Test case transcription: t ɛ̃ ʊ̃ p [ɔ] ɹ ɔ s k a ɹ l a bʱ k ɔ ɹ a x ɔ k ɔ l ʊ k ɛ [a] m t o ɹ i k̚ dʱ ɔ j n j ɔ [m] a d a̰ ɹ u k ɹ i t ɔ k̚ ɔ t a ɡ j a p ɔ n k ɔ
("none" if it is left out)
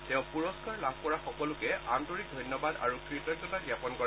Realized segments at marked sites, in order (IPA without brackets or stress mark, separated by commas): u, a, b